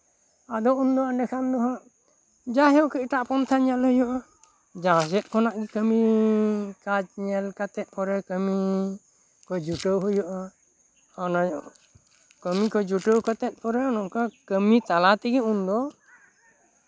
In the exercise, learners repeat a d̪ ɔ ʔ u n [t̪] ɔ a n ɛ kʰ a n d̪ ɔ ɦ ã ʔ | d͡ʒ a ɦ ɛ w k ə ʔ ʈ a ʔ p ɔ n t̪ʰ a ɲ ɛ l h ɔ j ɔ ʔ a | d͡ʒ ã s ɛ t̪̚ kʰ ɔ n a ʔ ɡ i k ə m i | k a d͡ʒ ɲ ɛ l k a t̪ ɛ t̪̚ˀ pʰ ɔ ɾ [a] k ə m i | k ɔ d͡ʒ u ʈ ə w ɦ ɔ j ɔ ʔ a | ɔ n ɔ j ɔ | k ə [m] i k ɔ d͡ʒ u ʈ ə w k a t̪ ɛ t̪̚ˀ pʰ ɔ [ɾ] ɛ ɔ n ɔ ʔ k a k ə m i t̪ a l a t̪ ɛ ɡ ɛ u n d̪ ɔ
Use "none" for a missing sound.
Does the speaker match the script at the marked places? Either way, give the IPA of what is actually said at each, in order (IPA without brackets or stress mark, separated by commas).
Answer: d̪, ɛ, m, ɾ